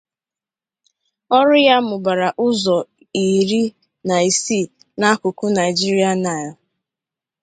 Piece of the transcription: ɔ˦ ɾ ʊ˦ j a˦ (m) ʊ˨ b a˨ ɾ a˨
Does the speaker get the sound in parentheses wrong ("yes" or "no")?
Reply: no